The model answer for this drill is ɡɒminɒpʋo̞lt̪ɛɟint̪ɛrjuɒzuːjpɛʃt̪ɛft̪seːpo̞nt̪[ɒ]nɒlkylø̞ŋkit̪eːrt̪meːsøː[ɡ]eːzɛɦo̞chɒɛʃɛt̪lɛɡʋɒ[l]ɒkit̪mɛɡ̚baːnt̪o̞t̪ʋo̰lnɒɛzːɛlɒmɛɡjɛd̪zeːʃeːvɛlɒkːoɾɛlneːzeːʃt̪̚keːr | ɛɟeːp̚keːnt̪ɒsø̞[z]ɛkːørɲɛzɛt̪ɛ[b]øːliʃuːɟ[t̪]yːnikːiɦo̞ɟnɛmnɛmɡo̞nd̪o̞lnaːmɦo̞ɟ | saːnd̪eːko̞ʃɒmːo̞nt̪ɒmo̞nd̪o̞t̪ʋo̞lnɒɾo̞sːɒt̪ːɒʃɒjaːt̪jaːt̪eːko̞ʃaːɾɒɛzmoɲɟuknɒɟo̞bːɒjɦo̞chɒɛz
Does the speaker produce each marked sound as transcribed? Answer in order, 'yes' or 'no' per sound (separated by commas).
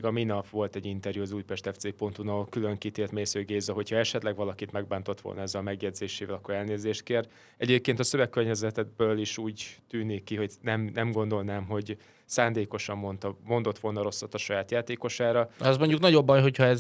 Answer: no, yes, yes, no, yes, yes